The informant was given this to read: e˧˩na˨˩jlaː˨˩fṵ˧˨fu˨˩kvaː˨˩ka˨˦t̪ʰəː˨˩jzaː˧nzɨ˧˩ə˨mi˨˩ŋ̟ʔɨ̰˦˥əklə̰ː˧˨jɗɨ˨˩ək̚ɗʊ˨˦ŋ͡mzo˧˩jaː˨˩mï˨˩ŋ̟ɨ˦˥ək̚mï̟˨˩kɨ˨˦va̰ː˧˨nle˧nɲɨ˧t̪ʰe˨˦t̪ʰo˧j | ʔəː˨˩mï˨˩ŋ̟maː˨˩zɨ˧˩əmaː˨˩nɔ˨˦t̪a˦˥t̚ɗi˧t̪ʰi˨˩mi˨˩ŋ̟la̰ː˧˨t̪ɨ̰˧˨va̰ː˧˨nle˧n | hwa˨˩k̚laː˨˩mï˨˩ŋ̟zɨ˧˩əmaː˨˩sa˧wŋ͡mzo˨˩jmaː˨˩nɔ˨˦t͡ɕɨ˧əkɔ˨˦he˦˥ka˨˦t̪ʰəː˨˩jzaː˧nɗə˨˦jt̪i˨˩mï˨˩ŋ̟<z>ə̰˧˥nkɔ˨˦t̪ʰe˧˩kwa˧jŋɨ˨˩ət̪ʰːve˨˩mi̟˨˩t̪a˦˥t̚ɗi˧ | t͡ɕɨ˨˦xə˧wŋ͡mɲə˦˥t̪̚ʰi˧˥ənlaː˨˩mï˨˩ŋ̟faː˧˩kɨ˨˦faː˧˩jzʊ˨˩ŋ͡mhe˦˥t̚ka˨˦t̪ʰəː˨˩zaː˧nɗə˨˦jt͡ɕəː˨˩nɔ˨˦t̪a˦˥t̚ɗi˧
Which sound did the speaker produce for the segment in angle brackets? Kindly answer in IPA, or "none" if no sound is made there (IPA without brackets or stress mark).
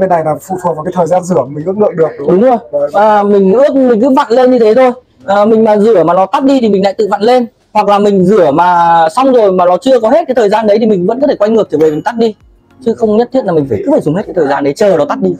v